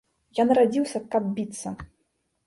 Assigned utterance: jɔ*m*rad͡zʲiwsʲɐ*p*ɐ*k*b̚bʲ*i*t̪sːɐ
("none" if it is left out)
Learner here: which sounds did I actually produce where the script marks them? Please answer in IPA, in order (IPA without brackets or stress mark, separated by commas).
n, k, none, i